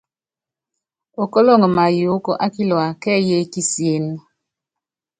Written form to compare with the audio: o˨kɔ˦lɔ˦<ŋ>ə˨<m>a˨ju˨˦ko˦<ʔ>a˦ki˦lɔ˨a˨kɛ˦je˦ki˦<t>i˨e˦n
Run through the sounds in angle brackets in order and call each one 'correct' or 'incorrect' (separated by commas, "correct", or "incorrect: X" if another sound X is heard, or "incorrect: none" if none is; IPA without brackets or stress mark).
correct, correct, correct, incorrect: s